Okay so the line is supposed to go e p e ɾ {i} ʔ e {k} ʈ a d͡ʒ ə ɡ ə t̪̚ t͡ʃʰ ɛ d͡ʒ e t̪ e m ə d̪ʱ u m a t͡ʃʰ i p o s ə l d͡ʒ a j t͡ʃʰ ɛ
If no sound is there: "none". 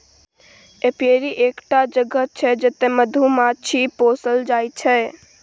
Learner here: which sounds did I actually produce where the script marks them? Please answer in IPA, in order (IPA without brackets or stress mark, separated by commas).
i, k